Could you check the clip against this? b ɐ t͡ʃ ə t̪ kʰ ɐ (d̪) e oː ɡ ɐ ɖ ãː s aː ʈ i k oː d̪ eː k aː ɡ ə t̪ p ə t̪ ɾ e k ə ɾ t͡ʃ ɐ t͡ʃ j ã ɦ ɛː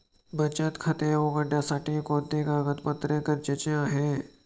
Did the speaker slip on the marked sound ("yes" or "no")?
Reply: yes